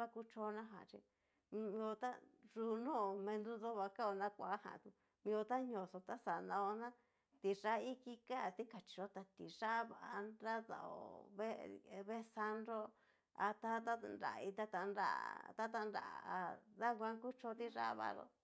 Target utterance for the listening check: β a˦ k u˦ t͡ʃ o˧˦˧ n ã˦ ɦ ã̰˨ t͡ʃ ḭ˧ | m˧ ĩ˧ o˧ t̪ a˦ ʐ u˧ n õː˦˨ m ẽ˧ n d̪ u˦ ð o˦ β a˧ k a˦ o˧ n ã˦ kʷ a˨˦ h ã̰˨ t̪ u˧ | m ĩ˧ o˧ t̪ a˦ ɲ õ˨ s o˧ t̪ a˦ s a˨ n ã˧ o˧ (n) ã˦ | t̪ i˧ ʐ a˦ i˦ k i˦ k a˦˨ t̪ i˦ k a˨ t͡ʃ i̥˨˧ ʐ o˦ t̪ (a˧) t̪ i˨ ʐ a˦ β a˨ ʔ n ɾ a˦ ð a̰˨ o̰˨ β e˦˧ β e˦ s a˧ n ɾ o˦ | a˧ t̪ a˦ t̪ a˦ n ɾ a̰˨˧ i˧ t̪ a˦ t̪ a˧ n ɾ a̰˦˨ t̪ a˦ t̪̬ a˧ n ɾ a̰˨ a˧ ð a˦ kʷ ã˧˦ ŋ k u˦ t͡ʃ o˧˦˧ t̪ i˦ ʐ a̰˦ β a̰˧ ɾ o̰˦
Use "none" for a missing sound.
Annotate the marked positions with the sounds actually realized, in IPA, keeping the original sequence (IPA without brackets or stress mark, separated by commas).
n, a˧